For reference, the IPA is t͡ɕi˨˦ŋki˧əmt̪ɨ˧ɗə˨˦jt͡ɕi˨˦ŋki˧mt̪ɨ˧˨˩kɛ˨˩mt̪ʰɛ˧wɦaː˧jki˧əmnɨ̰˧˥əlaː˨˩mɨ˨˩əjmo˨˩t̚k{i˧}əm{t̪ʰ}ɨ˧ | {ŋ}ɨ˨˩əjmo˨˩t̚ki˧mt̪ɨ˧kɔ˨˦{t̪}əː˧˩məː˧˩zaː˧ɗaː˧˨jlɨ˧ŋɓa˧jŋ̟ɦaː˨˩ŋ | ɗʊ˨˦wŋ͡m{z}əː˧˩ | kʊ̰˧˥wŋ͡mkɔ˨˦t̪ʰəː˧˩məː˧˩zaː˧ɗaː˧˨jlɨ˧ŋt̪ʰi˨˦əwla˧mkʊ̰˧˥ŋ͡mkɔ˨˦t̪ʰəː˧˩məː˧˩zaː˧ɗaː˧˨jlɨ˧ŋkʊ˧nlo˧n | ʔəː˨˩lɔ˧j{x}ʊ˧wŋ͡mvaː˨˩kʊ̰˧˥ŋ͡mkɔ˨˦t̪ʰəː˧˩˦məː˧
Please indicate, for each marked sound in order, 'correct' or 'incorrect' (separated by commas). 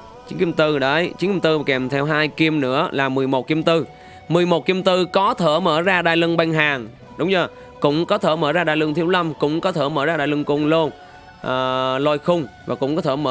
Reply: correct, incorrect, incorrect, incorrect, correct, correct